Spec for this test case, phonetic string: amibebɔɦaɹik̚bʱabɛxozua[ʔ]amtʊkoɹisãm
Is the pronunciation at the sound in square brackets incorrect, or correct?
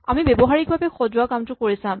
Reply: incorrect